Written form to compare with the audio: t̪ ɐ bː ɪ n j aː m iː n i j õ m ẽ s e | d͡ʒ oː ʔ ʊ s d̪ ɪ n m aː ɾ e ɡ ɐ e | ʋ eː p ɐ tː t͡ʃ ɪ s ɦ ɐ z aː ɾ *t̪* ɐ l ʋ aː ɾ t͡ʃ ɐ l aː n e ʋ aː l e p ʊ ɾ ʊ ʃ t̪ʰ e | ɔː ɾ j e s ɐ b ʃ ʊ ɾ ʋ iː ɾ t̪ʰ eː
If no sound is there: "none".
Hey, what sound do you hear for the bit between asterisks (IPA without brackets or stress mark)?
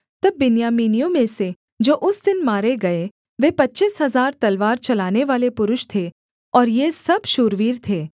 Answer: t̪